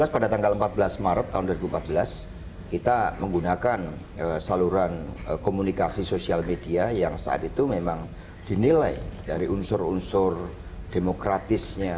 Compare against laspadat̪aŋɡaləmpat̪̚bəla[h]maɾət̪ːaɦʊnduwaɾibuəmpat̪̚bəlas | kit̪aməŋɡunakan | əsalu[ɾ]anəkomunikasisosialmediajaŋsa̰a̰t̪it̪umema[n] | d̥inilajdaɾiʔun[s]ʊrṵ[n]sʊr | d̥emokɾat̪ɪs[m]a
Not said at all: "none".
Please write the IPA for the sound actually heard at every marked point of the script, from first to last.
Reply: s, ɾ, ŋ, s, n, ɲ

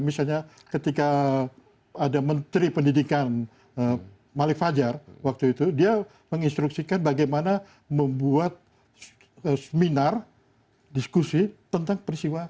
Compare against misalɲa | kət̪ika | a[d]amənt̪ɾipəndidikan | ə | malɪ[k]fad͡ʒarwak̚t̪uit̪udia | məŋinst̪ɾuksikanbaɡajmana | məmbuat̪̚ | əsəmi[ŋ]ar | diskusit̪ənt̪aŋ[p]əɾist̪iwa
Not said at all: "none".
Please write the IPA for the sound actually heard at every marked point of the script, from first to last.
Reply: d, k, n, p

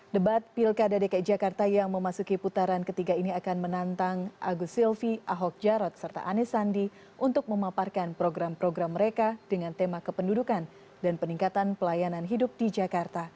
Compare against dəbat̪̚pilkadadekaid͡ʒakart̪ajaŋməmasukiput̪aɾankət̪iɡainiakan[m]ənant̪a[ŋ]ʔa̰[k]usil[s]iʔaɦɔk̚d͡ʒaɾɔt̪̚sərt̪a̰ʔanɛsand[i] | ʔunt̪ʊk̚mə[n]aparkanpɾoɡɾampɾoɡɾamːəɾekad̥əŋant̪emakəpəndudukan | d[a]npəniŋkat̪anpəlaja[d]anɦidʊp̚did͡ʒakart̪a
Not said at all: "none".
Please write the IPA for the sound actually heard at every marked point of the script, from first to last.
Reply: m, ŋ, ɡ, f, i, m, a, n

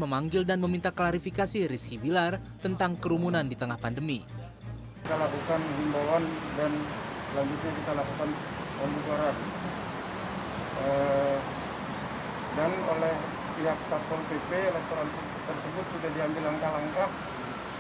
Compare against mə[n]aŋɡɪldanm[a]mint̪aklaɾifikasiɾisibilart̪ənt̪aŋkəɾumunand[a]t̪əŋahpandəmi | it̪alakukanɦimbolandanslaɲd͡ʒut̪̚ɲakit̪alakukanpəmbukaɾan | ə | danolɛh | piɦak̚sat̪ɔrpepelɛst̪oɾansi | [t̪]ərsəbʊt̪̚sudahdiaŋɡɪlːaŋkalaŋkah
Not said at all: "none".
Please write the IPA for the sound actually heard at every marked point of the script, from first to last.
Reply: m, ə, i, t̪

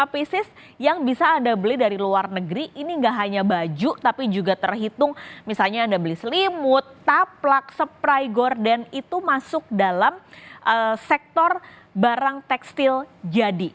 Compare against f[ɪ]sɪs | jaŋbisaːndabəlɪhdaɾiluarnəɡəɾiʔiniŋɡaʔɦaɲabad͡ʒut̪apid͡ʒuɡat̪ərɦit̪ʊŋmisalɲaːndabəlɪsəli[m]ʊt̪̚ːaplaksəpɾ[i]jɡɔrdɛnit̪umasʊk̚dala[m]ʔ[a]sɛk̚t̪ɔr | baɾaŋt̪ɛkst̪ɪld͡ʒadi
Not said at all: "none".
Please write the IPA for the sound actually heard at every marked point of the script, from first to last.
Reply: i, m, a, m, ə

